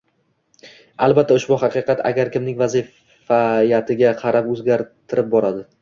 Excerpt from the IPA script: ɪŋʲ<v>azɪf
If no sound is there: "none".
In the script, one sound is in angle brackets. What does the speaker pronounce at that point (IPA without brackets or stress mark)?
v